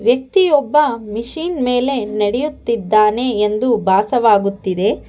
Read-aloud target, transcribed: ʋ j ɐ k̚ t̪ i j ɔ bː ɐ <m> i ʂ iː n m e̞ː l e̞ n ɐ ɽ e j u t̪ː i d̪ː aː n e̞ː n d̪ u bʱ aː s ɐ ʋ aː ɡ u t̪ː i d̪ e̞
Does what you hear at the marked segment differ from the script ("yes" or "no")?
no